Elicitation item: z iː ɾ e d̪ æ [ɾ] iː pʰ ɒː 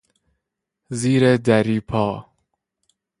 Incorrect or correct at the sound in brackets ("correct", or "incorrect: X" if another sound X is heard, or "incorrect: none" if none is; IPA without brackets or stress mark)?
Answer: correct